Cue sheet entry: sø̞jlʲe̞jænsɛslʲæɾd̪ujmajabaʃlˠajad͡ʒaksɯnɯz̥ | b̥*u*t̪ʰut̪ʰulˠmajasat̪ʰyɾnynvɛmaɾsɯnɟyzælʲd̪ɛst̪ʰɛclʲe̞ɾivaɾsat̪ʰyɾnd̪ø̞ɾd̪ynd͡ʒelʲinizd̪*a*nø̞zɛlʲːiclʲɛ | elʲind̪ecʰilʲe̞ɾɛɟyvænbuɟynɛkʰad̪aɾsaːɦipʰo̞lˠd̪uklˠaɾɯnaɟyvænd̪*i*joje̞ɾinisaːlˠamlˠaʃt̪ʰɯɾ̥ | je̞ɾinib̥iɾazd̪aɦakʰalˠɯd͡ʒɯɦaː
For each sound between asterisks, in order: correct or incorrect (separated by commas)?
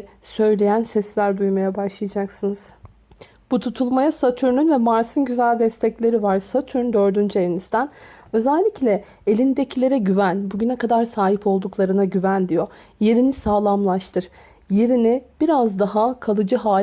correct, incorrect, correct